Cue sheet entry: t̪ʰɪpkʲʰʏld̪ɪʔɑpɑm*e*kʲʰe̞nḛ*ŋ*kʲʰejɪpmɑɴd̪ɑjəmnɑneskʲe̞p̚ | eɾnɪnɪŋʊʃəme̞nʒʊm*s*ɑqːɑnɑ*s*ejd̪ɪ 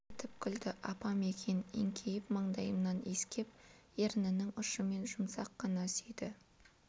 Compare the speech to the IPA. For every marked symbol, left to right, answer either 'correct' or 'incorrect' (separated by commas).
correct, correct, correct, correct